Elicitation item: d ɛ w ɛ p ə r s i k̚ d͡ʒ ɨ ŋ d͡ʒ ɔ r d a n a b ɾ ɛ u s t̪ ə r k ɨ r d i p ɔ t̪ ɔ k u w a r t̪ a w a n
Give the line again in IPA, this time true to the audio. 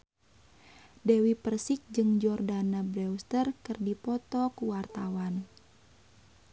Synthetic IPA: d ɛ w i p ə r s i k̚ d͡ʒ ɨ ŋ d͡ʒ ɔ r d a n a b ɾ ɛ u s t̪ ə r k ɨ r d i p ɔ t̪ ɔ k u w a r t̪ a w a n